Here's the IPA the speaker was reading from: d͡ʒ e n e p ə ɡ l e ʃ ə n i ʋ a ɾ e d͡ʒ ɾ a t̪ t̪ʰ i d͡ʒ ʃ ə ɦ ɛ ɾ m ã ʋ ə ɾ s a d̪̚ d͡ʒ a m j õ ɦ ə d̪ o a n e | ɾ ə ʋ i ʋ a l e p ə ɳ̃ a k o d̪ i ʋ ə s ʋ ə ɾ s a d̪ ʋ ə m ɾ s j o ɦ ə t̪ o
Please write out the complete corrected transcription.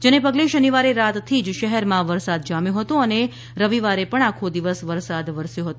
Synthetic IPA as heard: d͡ʒ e n e p ə ɡ l e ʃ ə n i ʋ a ɾ e ɾ a t̪ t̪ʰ i d͡ʒ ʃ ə ɦ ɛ ɾ m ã ʋ ə ɾ s a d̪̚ d͡ʒ a m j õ ɦ ə t̪ o ə n e | ɾ ə ʋ i ʋ a ɾ e p ə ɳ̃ a kʰ o d̪ i ʋ ə s ʋ ə ɾ s a d̪ ʋ ə ɾ s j o ɦ ə t̪ o